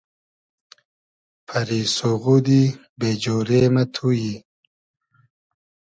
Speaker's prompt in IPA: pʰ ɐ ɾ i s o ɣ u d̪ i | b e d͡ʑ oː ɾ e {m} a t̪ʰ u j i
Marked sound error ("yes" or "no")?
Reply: no